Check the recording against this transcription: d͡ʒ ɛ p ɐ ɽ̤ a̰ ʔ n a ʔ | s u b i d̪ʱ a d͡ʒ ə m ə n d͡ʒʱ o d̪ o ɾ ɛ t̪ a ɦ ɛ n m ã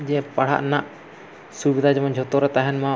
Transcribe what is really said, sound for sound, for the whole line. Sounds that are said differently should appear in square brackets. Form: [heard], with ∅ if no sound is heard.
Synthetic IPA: d͡ʒ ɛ p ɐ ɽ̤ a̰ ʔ n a ʔ | s u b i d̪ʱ a d͡ʒ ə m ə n d͡ʒʱ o [t̪] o ɾ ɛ t̪ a ɦ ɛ n m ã